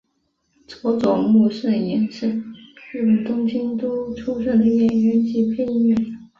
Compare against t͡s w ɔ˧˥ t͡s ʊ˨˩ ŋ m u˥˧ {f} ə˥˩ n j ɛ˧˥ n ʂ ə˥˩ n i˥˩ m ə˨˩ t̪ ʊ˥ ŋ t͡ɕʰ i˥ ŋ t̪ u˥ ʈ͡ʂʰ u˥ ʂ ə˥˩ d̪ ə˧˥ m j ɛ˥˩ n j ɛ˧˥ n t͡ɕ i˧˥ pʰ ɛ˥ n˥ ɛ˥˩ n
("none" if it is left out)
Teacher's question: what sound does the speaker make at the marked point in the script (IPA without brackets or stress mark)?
ʂ